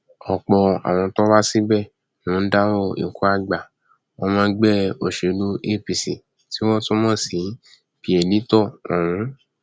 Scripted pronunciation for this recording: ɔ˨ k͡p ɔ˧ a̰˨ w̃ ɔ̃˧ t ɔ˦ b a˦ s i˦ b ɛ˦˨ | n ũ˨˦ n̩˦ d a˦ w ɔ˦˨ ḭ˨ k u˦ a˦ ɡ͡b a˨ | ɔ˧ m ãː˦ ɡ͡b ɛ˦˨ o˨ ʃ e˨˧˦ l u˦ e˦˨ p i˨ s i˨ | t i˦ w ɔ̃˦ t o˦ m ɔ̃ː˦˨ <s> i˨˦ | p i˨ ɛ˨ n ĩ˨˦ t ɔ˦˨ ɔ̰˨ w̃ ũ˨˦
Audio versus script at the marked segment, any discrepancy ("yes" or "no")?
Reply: no